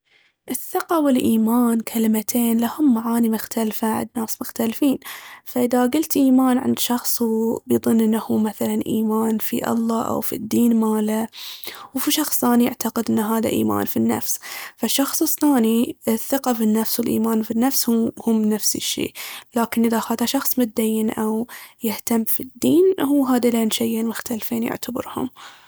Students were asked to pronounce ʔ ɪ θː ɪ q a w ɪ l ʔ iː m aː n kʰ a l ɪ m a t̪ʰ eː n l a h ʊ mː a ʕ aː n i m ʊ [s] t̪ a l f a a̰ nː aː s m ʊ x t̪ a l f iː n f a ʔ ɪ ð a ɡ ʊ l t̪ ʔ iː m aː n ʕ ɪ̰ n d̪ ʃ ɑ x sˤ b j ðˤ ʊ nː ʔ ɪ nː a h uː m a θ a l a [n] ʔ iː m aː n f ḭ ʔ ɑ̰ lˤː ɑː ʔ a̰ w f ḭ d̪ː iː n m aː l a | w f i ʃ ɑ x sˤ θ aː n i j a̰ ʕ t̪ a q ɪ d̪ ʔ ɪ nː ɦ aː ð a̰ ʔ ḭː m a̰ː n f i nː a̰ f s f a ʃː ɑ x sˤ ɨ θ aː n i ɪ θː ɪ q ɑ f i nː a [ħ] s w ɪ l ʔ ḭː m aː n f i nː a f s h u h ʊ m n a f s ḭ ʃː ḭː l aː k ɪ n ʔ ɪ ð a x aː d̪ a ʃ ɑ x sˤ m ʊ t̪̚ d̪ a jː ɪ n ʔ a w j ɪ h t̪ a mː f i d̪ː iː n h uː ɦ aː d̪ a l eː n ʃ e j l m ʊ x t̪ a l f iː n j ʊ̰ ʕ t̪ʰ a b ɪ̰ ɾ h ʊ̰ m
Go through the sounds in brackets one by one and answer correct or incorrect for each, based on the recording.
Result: incorrect, correct, incorrect

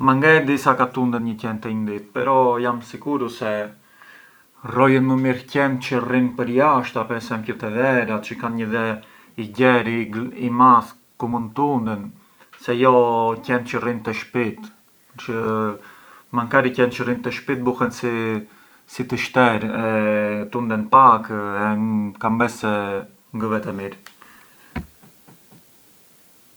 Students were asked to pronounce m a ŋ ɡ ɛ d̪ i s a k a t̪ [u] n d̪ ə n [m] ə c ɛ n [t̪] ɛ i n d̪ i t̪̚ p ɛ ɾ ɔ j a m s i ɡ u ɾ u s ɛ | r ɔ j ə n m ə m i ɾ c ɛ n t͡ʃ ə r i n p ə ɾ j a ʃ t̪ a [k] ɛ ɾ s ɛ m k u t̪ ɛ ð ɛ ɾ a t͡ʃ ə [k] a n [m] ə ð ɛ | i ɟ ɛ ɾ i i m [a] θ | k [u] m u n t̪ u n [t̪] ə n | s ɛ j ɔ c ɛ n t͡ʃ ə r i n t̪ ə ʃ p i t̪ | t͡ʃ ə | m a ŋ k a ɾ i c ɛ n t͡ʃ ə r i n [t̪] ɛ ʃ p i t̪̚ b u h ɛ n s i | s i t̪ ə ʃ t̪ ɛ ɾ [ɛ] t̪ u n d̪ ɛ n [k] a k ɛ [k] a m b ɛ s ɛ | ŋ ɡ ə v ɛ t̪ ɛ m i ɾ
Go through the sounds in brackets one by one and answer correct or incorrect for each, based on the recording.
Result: correct, incorrect, correct, incorrect, correct, incorrect, correct, correct, incorrect, correct, correct, incorrect, correct

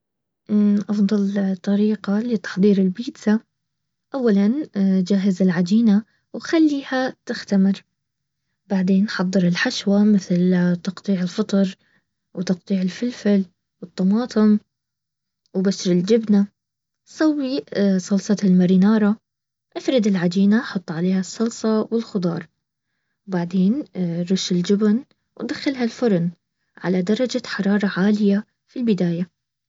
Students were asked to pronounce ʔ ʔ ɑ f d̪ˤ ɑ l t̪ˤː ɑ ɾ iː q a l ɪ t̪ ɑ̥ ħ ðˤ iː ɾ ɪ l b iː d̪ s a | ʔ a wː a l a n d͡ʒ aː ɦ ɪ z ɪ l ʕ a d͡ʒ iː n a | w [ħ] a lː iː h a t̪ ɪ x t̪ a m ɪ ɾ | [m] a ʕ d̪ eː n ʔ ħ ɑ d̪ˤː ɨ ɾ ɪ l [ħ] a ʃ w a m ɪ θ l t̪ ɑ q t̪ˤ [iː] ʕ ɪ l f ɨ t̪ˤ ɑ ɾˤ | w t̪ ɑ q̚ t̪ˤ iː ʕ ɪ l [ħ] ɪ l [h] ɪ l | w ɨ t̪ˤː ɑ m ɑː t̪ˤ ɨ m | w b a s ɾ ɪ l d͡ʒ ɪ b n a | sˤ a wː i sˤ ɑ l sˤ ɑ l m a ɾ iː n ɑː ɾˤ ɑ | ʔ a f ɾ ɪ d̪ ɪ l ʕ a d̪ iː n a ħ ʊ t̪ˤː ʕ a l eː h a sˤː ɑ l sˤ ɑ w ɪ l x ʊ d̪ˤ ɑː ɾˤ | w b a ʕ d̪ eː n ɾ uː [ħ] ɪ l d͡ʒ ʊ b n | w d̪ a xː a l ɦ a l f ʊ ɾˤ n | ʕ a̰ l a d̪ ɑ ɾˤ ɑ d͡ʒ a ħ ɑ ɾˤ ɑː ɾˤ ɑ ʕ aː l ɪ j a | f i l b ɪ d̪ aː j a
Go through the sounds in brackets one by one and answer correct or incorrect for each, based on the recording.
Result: incorrect, incorrect, correct, correct, incorrect, incorrect, incorrect

